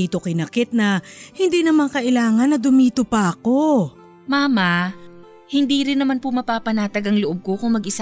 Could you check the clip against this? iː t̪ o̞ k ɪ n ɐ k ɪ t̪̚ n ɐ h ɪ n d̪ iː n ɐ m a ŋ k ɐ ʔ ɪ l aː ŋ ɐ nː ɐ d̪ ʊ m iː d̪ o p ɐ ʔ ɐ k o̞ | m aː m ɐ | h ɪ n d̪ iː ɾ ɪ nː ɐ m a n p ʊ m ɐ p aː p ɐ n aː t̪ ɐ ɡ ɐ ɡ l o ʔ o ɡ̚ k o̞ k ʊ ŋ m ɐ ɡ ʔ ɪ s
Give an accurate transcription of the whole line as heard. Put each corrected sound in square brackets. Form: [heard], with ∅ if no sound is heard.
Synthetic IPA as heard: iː t̪ o̞ k ɪ n ɐ k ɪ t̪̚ n ɐ h ɪ n d̪ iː n ɐ m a ŋ k ɐ ʔ ɪ l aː ŋ ɐ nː ɐ d̪ ʊ m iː [t̪] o p ɐ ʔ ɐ k o̞ | m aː m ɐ | h ɪ n d̪ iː ɾ ɪ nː ɐ m a n p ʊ m ɐ p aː p ɐ n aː t̪ ɐ ɡ ɐ [ŋ] l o ʔ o [b̚] k o̞ k ʊ ŋ m ɐ ɡ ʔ ɪ s